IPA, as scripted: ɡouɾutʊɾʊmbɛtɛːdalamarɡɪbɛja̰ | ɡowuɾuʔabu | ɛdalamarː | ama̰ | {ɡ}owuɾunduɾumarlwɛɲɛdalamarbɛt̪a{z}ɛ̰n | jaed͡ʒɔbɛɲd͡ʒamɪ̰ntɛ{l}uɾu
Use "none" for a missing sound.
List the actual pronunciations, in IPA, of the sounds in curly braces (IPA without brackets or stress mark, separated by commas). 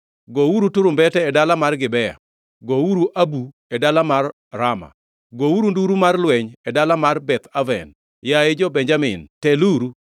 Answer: ɡ, v, l